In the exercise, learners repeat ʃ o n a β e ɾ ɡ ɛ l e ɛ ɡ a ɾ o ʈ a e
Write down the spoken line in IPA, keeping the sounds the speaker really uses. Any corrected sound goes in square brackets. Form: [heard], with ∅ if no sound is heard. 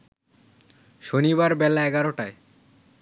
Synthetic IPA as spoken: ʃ o n [i] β [a] ɾ [b] ɛ l [a] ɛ ɡ a ɾ o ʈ a e